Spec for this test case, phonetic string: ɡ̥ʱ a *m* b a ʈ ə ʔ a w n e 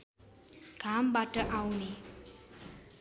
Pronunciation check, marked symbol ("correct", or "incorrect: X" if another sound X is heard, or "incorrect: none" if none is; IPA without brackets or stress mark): correct